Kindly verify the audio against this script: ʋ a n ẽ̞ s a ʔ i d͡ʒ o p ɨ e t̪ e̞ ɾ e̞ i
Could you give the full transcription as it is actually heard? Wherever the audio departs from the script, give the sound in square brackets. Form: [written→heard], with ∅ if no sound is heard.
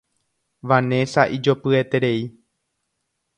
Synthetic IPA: ʋ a n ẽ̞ s a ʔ i d͡ʒ o p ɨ e t̪ e̞ ɾ e̞ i